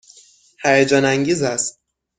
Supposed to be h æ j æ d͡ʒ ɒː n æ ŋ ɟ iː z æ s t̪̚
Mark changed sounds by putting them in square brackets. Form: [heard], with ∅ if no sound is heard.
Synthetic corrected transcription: h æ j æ d͡ʒ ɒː n æ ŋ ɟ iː z æ s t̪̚